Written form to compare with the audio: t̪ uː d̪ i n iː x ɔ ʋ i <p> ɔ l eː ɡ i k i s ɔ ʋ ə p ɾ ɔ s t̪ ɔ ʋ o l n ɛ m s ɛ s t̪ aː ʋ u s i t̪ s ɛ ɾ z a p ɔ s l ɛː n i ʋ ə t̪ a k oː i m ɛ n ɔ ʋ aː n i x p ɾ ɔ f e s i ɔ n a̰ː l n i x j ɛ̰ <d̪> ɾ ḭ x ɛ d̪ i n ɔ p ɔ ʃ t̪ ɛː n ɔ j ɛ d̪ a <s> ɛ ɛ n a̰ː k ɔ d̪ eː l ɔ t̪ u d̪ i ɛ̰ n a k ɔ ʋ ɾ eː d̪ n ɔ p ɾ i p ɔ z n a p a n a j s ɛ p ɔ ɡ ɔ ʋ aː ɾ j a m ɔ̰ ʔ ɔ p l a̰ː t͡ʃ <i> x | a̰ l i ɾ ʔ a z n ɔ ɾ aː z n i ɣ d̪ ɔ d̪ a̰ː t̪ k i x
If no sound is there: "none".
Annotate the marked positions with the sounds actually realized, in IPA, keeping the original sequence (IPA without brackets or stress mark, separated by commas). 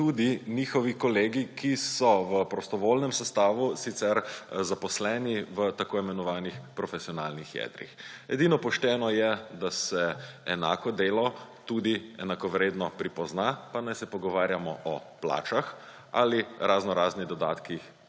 k, d̪, s, a